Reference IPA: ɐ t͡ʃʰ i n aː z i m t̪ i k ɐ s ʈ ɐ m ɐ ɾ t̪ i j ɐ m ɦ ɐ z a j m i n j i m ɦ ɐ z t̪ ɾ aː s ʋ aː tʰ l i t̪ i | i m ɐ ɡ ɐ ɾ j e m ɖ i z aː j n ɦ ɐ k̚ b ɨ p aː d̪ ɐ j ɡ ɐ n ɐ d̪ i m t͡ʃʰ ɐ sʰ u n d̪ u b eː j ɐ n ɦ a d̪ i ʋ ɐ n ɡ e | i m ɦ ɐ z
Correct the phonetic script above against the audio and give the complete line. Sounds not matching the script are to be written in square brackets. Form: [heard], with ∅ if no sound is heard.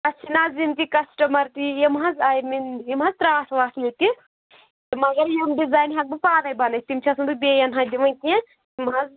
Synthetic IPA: ɐ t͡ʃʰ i n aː z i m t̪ i k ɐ s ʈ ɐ m ɐ ɾ t̪ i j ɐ m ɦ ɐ z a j m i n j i m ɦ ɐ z t̪ ɾ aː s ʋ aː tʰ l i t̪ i | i m ɐ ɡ ɐ ɾ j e m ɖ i z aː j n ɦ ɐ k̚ b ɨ p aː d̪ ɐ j [b] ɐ n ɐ [t̪] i m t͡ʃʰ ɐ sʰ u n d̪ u b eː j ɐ n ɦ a d̪ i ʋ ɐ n [k] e | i m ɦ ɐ z